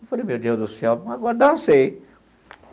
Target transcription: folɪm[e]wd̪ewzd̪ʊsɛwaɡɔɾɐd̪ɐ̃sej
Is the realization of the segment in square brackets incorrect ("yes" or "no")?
no